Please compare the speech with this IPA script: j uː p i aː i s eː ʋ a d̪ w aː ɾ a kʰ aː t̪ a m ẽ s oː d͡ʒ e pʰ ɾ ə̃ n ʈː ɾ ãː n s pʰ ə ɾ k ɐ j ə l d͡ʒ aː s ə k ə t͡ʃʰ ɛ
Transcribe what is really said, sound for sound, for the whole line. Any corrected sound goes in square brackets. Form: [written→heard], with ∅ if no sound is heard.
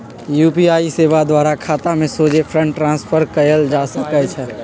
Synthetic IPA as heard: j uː p i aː i s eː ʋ a d̪ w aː ɾ a kʰ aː t̪ a m ẽ s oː d͡ʒ e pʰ ɾ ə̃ [n→ɳ] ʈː ɾ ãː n s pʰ ə ɾ k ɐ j ə l d͡ʒ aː s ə k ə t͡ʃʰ ɛ